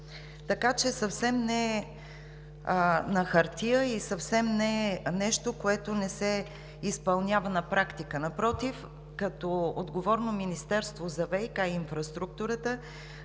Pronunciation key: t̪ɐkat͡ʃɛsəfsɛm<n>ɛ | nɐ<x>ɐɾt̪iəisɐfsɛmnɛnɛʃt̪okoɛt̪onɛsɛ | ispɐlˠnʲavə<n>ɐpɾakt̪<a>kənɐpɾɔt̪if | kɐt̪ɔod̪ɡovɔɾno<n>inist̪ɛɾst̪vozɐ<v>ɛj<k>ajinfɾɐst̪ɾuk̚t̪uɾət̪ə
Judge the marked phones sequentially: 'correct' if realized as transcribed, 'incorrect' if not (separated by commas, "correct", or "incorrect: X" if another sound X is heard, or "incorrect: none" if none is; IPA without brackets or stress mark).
correct, correct, correct, incorrect: i, incorrect: m, correct, correct